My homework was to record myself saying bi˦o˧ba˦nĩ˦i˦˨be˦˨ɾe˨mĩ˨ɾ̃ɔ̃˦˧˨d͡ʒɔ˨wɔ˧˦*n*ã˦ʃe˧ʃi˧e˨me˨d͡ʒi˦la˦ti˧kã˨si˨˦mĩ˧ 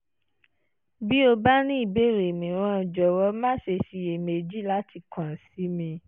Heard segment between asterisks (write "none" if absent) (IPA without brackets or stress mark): m